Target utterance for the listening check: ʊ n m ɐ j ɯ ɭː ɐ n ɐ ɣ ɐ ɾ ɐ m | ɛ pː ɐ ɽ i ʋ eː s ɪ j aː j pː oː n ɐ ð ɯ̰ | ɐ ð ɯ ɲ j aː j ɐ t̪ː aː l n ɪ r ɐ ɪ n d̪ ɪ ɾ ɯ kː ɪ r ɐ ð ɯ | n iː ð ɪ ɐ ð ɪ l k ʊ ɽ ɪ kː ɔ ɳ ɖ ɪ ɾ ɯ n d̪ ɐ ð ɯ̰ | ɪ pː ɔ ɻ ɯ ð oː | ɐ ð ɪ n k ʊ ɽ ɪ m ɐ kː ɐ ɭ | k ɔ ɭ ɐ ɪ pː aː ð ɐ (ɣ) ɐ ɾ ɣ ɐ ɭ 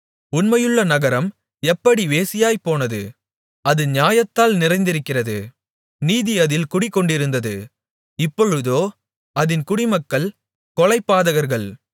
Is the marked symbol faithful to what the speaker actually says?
yes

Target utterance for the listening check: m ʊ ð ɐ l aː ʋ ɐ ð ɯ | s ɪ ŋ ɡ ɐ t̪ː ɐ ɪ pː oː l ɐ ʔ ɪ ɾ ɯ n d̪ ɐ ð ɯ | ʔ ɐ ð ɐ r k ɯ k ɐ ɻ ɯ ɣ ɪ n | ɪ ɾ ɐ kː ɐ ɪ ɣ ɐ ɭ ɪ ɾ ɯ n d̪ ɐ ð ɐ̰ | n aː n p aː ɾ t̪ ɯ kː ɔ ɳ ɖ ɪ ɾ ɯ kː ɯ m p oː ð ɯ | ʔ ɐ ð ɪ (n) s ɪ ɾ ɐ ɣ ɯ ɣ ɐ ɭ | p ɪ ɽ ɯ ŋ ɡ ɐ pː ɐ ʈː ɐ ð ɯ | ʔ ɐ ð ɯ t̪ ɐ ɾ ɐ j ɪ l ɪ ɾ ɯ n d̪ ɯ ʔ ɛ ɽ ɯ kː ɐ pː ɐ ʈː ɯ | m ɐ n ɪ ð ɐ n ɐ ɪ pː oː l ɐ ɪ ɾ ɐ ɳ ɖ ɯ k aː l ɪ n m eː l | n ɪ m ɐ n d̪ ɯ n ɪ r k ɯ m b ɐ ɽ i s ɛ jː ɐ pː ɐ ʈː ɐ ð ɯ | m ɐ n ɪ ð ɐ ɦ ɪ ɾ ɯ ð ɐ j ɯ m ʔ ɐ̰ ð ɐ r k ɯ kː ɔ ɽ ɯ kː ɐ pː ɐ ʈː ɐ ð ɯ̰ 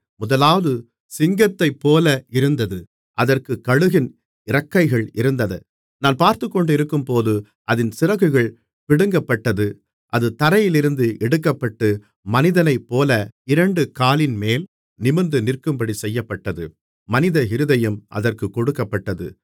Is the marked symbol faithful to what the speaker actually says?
yes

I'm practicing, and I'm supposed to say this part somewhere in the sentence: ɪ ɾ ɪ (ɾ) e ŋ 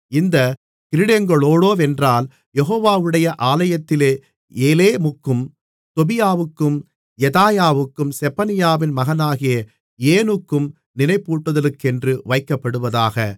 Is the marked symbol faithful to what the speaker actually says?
no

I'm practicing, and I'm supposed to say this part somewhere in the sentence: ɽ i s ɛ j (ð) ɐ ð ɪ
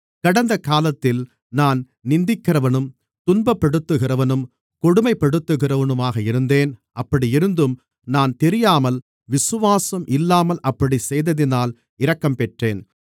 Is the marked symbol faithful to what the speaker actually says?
yes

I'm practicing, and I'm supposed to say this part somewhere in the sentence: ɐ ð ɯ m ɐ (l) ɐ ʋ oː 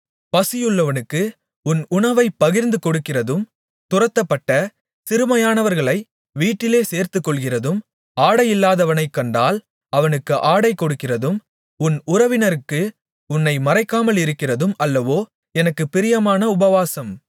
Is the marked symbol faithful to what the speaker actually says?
no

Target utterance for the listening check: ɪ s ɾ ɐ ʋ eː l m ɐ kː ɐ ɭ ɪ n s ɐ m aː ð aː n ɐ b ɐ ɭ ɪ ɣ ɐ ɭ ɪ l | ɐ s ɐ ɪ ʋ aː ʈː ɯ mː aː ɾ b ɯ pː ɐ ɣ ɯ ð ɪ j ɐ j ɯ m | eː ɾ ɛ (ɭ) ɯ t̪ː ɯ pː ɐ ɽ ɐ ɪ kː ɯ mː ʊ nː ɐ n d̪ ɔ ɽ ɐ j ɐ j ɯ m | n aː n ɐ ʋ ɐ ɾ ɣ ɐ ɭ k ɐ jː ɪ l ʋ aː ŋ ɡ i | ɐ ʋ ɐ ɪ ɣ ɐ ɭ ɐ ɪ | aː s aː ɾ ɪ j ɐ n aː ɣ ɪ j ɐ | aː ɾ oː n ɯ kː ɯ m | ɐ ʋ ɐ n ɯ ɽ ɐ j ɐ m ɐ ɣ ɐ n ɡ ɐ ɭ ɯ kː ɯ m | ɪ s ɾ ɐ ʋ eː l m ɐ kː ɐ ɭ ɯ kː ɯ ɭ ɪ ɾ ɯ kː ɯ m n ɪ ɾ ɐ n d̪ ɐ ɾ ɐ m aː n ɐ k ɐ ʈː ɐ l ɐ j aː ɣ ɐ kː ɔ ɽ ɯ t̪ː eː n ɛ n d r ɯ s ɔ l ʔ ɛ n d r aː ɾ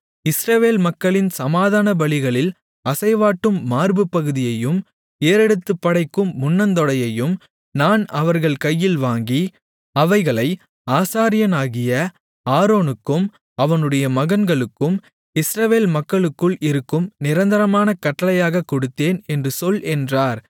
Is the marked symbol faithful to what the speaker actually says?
no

